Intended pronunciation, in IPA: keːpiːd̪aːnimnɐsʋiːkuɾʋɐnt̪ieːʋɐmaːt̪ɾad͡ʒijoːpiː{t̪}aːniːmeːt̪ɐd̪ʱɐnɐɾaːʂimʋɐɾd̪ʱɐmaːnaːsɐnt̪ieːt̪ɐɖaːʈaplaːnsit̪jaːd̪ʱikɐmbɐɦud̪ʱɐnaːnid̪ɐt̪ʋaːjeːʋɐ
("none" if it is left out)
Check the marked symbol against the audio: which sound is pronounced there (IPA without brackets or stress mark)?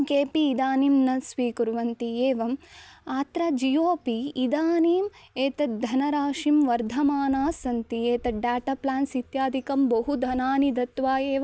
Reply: d̪